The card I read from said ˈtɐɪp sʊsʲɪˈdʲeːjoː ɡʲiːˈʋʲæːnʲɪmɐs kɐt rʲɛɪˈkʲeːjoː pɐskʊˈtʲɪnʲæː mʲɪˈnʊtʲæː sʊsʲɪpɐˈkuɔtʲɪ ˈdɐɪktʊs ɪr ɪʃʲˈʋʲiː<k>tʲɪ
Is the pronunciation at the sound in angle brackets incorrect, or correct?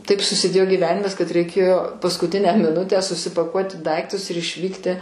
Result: correct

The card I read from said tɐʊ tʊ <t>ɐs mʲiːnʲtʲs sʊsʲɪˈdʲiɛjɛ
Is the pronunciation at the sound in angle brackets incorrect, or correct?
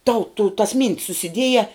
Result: correct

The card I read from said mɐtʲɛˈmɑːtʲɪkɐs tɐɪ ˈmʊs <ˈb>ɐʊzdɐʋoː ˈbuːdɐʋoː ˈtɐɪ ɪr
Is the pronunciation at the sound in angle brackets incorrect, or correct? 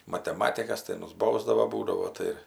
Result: correct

